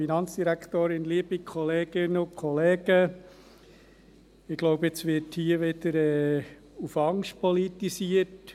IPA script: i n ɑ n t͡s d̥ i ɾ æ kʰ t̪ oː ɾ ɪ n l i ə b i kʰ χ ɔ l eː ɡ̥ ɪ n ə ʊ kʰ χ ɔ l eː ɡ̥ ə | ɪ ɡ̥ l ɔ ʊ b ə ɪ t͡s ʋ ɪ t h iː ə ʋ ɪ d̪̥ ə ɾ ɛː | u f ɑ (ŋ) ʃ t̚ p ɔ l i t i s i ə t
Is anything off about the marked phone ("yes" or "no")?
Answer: no